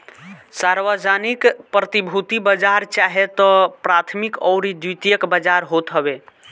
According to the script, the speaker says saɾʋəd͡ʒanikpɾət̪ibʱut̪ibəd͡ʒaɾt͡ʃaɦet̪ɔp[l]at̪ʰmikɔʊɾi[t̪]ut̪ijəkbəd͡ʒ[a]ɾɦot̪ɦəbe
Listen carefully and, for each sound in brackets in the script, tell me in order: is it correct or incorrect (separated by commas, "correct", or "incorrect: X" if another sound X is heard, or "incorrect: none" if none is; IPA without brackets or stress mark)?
incorrect: ɾ, incorrect: d̪, correct